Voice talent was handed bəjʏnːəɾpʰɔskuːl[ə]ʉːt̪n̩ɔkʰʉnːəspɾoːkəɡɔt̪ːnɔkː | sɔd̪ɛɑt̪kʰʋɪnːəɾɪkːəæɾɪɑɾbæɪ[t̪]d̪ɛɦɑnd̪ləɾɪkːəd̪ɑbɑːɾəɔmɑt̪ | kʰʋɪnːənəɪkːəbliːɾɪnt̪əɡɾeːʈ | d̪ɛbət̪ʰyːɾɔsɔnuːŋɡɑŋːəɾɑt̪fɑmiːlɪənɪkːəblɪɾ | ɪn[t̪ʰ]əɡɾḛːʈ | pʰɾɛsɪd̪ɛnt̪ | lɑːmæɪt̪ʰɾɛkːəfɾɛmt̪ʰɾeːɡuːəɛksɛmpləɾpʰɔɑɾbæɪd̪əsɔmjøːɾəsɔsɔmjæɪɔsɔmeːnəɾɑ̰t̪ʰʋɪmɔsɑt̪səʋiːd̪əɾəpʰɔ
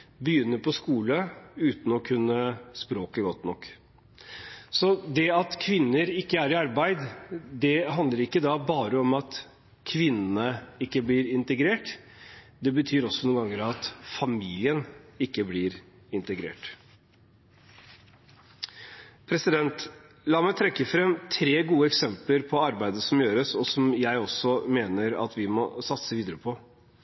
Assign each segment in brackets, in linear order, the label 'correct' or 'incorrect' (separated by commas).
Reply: correct, incorrect, incorrect